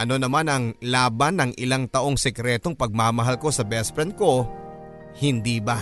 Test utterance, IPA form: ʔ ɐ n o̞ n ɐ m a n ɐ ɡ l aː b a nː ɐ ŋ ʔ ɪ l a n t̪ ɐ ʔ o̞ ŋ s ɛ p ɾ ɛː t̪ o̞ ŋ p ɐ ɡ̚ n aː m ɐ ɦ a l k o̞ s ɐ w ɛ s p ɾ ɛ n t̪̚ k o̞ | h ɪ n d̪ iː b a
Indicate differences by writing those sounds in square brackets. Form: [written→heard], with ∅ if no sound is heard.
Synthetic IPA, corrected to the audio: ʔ ɐ n o̞ n ɐ m a n ɐ [ɡ→ŋ] l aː b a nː ɐ ŋ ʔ ɪ l a [n→ŋ] t̪ ɐ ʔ o̞ ŋ s ɛ [p→k] ɾ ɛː t̪ o̞ ŋ p ɐ ɡ̚ [n→m] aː m ɐ ɦ a l k o̞ s ɐ [w→b] ɛ s p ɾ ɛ n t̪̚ k o̞ | h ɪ n d̪ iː b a